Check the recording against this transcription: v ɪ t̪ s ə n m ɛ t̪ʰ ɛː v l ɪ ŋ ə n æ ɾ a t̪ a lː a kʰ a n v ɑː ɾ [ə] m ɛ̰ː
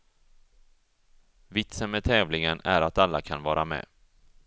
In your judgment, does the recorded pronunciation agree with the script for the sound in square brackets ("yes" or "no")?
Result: no